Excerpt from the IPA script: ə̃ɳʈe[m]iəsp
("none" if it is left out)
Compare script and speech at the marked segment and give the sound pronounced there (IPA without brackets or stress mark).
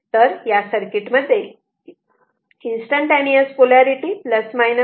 n